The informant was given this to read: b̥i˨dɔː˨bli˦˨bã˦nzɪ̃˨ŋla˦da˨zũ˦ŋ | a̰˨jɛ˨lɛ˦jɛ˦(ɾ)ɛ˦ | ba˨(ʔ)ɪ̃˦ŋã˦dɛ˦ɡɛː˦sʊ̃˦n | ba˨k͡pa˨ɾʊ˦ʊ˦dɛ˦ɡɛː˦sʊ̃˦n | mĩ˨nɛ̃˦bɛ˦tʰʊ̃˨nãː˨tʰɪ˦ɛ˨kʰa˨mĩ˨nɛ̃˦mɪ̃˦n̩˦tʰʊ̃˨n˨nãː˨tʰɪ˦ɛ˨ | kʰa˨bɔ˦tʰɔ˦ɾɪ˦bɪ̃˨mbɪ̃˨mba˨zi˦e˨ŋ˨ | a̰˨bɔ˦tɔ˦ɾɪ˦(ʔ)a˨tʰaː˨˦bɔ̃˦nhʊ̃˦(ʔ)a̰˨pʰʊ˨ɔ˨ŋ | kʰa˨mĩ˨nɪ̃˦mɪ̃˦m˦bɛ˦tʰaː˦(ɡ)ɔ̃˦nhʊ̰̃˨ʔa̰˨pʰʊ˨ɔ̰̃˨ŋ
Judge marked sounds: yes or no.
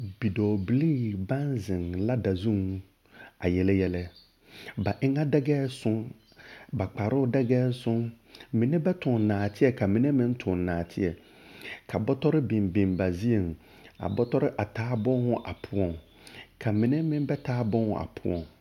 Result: no, yes, yes, yes, no

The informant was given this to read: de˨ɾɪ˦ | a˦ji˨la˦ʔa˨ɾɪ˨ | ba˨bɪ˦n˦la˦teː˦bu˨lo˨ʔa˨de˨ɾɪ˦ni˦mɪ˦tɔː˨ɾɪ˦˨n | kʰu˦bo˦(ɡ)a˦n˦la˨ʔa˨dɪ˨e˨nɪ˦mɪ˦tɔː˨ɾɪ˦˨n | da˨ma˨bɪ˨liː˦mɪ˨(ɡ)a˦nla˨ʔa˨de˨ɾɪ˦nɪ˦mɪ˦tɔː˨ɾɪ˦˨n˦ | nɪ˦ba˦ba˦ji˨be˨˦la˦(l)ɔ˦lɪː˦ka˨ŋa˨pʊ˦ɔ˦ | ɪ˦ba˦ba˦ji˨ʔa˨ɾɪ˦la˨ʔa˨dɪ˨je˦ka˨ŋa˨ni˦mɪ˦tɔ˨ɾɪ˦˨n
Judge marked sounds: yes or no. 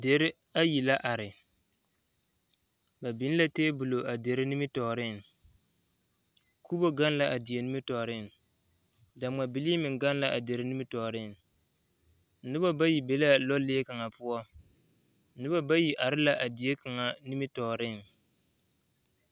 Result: yes, yes, yes

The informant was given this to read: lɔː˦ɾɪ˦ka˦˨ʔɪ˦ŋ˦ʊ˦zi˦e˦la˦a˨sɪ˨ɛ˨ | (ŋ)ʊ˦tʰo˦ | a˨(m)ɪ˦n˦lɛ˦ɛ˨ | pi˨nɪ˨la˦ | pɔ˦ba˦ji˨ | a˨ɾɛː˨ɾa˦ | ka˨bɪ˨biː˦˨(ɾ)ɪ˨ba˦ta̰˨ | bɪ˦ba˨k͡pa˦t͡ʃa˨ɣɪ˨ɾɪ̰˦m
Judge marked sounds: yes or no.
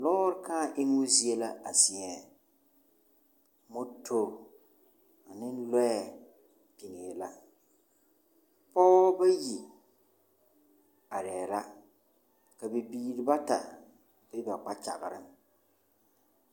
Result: no, no, yes

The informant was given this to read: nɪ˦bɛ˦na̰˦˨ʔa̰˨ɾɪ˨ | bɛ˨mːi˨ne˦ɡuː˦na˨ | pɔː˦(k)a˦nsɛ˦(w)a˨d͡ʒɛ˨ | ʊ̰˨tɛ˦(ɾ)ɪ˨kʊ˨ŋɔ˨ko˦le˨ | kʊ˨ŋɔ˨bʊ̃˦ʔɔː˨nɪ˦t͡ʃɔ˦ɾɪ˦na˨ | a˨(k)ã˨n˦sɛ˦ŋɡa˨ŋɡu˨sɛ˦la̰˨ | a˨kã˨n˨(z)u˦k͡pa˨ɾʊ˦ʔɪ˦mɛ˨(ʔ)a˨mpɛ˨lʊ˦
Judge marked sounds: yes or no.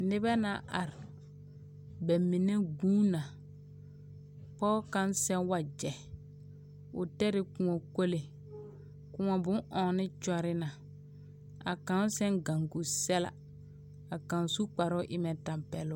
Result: yes, yes, yes, yes, no, no

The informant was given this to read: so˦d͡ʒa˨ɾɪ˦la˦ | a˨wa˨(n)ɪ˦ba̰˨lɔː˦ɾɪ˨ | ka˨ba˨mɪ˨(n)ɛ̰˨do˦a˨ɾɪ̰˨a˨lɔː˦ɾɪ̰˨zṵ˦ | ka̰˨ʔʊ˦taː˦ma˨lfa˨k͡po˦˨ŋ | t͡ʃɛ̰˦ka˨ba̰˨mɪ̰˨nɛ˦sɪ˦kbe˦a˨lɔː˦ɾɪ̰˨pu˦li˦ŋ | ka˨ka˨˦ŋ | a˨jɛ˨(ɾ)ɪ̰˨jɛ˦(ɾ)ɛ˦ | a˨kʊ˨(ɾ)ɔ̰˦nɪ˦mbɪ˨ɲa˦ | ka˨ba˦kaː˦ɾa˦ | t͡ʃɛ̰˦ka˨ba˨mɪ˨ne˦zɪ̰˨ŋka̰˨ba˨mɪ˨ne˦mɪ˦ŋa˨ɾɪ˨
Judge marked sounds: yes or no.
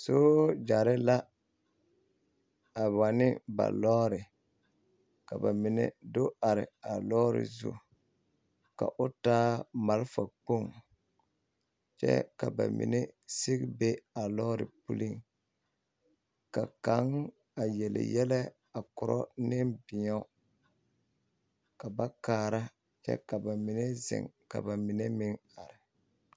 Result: yes, yes, no, no, yes

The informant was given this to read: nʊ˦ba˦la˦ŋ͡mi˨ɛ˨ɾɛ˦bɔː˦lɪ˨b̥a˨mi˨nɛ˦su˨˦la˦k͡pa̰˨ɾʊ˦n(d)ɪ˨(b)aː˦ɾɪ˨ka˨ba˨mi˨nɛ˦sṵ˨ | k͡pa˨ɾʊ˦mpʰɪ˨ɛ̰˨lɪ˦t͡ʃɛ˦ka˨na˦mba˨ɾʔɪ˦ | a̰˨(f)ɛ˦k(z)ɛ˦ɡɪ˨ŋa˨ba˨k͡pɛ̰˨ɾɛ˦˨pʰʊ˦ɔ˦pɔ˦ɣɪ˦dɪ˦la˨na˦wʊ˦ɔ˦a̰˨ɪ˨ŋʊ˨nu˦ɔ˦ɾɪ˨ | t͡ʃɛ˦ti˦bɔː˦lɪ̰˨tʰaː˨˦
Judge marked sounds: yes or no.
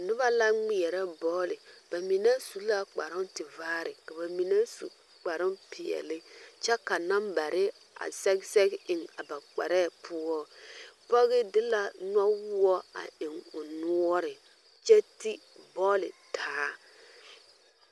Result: no, no, no, no

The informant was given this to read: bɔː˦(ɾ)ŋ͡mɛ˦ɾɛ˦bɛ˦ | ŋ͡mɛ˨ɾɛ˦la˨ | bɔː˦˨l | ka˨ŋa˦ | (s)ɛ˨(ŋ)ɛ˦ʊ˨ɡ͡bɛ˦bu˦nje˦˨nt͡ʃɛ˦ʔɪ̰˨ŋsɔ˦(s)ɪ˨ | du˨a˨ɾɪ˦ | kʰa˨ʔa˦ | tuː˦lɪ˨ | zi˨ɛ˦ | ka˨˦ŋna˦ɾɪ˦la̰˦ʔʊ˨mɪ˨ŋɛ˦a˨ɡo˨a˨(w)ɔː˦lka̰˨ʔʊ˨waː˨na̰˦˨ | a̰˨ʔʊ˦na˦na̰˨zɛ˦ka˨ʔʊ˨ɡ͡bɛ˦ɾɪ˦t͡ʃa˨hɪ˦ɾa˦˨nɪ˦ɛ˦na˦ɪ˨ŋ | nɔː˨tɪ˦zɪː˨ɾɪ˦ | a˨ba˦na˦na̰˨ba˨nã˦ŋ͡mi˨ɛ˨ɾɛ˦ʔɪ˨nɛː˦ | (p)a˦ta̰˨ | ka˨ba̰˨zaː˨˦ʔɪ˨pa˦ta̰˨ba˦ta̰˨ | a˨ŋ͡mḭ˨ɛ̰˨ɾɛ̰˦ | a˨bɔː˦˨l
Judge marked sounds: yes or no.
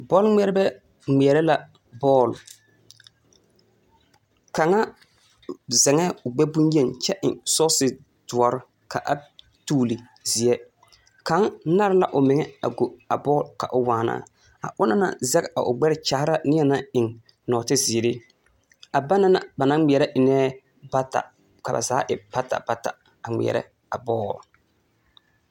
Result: no, no, yes, yes, no, no

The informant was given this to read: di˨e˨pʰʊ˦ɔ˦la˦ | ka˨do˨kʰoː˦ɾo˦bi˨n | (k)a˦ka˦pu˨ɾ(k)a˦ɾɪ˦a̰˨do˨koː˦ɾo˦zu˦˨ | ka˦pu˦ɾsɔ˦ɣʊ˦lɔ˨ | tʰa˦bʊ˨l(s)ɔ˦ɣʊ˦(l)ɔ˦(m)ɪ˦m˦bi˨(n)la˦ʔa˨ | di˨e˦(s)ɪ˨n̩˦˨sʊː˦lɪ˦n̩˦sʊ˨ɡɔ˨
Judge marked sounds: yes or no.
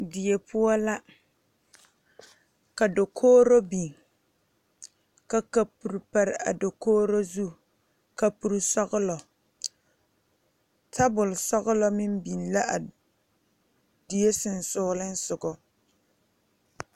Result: yes, no, yes, yes, yes, yes, yes

